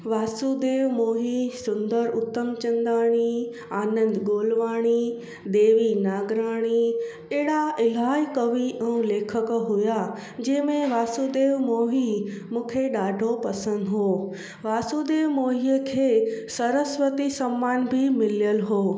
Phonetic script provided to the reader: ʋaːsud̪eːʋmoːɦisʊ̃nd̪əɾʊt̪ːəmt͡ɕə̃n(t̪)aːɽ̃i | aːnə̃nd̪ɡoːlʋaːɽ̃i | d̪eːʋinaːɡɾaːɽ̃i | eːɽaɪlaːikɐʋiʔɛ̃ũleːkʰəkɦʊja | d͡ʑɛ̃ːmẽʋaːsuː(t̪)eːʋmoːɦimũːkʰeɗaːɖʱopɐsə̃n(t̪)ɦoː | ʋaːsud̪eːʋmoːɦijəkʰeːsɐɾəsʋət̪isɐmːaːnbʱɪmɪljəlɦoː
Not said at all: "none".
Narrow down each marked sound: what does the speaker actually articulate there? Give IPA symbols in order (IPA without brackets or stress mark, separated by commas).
d̪, d̪, d̪